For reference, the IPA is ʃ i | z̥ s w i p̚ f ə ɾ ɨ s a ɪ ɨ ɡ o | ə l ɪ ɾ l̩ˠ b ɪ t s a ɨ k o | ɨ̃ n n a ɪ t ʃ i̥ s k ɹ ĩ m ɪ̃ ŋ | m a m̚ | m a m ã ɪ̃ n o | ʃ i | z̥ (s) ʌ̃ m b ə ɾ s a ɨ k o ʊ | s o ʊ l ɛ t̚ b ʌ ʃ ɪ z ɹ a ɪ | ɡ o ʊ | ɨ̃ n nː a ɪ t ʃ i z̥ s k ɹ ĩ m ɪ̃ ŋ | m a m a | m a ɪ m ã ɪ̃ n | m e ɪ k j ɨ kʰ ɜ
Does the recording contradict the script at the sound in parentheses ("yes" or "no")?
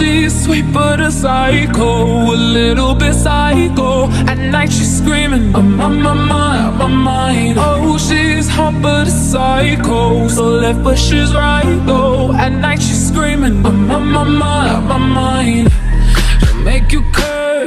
yes